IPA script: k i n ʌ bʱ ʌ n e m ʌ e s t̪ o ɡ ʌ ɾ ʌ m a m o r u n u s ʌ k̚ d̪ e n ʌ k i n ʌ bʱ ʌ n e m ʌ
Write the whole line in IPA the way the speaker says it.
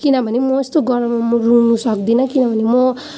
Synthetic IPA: k i n ʌ bʱ ʌ n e m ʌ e s t̪ o ɡ ʌ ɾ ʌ m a m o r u n u s ʌ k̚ d̪ i n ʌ k i n ʌ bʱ ʌ n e m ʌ